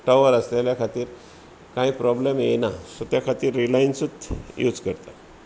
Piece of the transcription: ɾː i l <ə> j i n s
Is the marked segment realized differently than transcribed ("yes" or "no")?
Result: yes